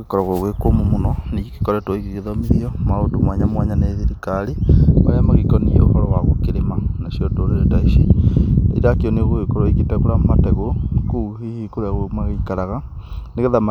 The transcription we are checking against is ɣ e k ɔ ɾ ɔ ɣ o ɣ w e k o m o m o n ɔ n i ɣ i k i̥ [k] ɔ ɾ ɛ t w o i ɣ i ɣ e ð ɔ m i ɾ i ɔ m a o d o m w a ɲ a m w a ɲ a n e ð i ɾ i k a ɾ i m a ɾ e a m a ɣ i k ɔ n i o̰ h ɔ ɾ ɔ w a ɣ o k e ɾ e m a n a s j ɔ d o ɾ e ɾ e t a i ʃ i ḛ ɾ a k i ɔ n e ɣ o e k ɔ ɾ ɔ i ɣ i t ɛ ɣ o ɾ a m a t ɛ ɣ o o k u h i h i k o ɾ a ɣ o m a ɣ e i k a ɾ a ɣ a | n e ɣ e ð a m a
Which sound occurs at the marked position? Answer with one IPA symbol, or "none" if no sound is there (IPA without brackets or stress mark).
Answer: k